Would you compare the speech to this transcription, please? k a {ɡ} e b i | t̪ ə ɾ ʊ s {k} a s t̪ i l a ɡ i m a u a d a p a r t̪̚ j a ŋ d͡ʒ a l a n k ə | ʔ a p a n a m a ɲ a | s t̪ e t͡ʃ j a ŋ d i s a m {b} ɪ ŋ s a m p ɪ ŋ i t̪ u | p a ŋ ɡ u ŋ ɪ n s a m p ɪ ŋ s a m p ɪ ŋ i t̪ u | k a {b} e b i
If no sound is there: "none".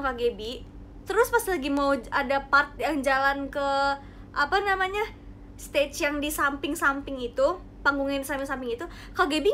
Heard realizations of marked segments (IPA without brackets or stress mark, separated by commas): ɡ, p, p, ɡ